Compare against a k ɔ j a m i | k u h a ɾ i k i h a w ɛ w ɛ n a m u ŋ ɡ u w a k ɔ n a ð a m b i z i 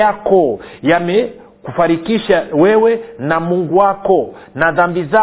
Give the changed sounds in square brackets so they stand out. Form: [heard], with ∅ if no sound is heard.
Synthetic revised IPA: a k ɔ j a m [ɛ] | k u [f] a ɾ i k i [ʃ] a w ɛ w ɛ n a m u ŋ ɡ u w a k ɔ n a ð a m b i z [a]